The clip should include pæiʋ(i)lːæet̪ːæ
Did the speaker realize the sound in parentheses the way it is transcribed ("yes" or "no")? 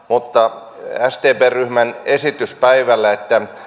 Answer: no